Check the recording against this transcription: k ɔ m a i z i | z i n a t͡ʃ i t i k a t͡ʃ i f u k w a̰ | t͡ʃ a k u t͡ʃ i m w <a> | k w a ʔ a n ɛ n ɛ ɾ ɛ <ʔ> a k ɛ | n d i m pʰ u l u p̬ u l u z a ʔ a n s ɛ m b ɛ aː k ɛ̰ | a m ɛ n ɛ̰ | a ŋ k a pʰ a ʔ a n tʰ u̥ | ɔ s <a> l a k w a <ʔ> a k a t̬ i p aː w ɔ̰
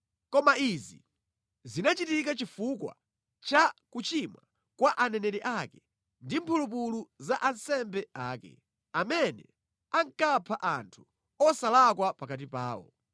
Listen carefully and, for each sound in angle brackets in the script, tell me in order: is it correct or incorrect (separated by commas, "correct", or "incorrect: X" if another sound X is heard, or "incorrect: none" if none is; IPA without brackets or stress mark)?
correct, correct, correct, incorrect: p